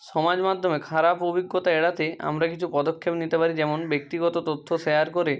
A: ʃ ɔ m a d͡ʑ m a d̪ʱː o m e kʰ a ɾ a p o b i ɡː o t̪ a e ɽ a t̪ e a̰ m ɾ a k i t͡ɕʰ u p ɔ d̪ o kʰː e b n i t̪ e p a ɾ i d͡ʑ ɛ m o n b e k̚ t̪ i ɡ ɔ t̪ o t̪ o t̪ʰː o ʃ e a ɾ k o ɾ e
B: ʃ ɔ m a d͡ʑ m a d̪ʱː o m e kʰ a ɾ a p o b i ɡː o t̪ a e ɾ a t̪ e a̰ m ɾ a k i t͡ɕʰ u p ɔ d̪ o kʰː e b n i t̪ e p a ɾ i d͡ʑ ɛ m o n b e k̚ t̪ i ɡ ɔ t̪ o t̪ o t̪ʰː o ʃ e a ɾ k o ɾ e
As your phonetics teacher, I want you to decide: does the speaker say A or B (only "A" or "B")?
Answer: A